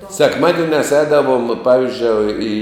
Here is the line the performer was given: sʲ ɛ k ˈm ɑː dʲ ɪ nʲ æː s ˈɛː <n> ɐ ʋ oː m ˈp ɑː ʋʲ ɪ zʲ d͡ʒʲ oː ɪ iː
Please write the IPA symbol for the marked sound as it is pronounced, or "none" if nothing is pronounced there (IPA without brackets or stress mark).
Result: d